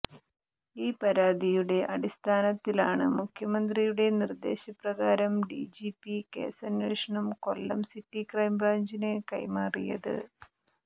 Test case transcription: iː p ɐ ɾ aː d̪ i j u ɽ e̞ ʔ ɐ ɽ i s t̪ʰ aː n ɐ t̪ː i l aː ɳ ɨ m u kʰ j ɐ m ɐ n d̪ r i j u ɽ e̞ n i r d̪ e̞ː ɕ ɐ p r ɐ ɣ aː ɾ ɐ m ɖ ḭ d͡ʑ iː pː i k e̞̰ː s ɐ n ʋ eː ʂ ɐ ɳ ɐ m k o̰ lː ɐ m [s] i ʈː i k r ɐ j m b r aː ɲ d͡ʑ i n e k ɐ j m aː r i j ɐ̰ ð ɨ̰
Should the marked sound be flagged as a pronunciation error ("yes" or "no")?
no